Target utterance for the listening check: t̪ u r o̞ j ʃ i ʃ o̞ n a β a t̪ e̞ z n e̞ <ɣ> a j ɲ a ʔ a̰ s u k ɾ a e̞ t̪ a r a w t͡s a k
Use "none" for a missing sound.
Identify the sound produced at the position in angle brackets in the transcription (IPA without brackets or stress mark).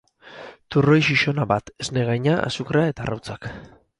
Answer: ɣ